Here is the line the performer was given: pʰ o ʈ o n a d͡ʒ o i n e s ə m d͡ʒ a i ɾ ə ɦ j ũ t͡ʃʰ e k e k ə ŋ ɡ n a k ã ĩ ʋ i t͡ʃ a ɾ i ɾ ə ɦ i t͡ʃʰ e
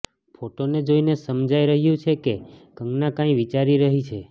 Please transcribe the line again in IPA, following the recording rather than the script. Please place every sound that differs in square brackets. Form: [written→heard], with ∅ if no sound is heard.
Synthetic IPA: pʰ o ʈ o n [a→e] d͡ʒ o i n e s ə m d͡ʒ a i ɾ ə ɦ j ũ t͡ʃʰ e k e k ə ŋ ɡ n a k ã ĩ ʋ i t͡ʃ a ɾ i ɾ ə ɦ i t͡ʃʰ e